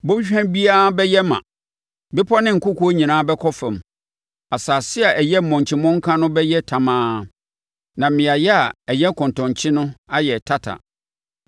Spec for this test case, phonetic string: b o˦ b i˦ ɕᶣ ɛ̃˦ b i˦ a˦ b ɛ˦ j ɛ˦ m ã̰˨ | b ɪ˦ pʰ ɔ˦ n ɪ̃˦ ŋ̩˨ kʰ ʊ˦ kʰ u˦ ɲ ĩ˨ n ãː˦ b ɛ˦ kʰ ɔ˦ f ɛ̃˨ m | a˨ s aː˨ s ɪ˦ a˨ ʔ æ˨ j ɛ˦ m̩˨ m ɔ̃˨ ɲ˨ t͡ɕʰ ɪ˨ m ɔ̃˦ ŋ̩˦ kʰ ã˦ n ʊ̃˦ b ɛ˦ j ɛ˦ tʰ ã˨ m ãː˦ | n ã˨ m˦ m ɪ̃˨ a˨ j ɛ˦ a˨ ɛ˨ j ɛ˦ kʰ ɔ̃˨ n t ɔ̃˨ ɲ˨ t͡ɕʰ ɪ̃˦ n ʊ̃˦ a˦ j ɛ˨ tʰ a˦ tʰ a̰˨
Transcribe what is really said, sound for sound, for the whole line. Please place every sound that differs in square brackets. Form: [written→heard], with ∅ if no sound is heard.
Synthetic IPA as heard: b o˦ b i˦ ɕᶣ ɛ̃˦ b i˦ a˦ b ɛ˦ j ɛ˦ m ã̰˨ | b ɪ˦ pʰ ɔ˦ n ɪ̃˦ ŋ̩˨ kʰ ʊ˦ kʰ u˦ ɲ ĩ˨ n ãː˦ b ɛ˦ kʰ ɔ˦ f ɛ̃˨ m | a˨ s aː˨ s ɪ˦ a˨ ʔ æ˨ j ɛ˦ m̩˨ m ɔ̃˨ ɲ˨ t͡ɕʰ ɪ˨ m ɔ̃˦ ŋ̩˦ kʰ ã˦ n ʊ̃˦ b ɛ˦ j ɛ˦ tʰ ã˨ m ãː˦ | n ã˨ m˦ m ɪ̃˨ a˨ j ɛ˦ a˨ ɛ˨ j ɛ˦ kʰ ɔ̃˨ n t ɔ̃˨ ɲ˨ t͡ɕʰ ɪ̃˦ n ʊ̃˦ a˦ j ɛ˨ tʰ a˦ tʰ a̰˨

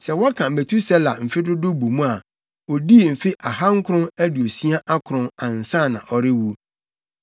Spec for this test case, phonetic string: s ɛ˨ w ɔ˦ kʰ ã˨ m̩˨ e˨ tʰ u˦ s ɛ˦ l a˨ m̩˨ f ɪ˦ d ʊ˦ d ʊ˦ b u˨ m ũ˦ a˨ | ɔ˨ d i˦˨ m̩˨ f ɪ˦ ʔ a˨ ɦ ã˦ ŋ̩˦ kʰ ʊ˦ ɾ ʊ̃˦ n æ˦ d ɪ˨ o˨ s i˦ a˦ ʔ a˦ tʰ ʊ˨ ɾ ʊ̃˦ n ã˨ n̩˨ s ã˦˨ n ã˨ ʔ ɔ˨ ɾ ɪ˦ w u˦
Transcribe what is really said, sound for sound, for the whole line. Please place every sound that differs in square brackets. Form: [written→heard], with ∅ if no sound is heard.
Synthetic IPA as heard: s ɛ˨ w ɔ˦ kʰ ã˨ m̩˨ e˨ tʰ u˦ s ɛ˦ l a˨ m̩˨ f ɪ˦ d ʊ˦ d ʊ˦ b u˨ m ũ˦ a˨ | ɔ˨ d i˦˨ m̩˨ f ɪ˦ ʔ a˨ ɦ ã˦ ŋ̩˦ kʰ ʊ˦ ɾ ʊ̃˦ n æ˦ d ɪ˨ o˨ s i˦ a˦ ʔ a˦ [tʰ→kʰ] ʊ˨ ɾ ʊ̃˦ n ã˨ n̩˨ s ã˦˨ n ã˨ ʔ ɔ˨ ɾ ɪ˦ w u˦

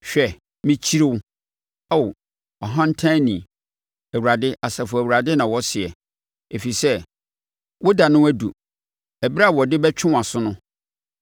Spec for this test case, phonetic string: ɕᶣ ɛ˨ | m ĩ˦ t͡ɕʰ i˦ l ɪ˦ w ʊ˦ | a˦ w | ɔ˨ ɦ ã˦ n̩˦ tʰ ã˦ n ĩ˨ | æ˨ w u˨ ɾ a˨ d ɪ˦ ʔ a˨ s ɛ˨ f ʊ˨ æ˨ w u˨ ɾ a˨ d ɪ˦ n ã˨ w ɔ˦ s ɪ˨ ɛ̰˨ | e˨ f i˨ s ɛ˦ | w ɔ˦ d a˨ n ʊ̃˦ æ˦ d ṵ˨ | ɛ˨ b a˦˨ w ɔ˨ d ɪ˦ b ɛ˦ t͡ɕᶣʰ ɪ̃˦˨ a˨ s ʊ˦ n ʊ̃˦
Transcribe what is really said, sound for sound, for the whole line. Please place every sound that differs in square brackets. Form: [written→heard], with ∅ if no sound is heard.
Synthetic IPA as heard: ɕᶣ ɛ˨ | m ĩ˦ t͡ɕʰ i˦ [l→ɾ] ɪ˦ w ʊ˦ | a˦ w | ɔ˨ ɦ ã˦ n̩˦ tʰ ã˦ n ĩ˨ | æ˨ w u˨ ɾ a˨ d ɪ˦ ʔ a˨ s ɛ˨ f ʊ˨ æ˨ w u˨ ɾ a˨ d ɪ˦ n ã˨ w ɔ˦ s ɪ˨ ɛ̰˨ | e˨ f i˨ s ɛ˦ | w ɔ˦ d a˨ n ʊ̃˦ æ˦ d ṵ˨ | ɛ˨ b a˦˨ w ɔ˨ d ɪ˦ b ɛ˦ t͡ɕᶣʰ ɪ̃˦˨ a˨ s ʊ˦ n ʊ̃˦

